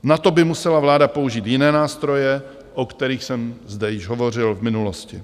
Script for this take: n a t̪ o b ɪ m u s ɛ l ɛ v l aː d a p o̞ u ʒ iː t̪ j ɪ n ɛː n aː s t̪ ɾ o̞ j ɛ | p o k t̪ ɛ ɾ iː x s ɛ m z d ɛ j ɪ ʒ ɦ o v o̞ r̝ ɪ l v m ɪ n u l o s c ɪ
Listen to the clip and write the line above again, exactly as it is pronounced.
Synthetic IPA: n a t̪ o b ɪ m u s ɛ l a v l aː d a p o̞ u ʒ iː t̪ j ɪ n ɛː n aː s t̪ ɾ o̞ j ɛ | ʔ o k t̪ ɛ ɾ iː x s ɛ m z d ɛ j ɪ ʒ ɦ o v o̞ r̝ ɪ l v m ɪ n u l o s c ɪ

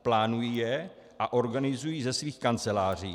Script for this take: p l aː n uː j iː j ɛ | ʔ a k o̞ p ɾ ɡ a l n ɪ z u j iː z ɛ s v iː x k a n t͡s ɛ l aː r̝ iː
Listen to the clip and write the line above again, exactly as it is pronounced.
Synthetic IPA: p l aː n u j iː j ɛ | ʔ a ʔ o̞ ɾ ɡ a n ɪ z u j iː z ɛ s v iː x k a n t͡s ɛ l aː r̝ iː

